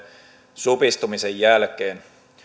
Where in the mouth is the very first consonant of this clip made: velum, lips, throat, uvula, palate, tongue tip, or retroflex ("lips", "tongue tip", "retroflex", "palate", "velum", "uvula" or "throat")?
tongue tip